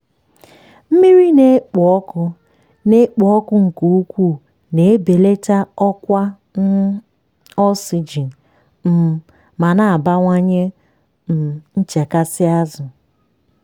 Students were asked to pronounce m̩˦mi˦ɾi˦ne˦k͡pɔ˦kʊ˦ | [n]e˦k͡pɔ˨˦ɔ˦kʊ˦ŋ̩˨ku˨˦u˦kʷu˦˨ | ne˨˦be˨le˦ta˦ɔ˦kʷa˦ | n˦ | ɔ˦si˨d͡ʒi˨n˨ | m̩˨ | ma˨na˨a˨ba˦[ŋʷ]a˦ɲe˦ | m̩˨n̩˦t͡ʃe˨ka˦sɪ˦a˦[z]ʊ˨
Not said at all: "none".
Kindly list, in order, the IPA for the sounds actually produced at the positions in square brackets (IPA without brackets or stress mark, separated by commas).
n, ŋʷ, z